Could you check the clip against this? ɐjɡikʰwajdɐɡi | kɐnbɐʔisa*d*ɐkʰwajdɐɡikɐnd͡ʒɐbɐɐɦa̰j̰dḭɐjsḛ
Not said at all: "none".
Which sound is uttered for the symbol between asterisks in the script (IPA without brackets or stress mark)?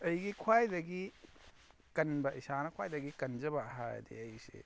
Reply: n